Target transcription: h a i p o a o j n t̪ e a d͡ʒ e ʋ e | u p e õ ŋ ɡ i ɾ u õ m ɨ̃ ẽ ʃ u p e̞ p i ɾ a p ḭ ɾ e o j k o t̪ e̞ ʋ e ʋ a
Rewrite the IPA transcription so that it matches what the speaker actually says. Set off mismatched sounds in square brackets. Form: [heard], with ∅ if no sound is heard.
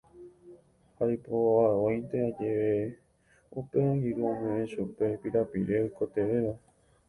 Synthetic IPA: h a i p o a o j n t̪ e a d͡ʒ e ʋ e | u p e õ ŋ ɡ i ɾ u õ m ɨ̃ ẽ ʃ u p e̞ p i ɾ a p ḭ ɾ e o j k o t̪ e̞ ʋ e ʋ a